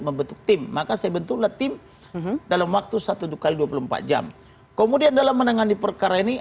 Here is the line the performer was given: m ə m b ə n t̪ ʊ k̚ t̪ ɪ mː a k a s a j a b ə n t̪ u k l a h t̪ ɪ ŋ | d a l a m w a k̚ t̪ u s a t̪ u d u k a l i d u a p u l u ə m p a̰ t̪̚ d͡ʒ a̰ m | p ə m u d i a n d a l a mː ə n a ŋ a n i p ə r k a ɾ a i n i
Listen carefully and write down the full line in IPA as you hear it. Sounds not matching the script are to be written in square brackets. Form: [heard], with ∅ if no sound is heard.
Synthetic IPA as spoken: m ə m b ə n t̪ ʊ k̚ t̪ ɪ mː a k a s a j a b ə n t̪ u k l a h t̪ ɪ [m] | d a l a m w a k̚ t̪ u s a t̪ u d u k a l i d u a p u l u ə m p a̰ t̪̚ d͡ʒ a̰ m | [k] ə m u d i a n d a l a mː ə n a ŋ a n i p ə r k a ɾ a i n i